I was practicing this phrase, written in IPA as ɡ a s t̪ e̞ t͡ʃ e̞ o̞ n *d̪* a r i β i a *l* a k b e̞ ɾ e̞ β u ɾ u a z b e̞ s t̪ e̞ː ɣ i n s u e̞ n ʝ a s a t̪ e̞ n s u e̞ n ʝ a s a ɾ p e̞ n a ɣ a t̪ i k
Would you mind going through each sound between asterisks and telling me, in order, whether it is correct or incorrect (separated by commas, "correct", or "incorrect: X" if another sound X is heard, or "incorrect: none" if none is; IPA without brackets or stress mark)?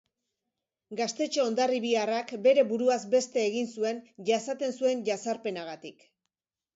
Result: correct, incorrect: r